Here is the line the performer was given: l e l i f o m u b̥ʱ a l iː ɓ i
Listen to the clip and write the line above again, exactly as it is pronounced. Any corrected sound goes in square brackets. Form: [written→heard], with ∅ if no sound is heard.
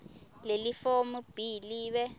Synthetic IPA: l e l i f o m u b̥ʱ [a→i] l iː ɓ [i→ɛ]